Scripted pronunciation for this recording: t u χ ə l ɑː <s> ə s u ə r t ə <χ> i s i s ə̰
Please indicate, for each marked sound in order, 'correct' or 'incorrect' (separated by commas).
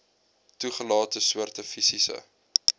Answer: incorrect, incorrect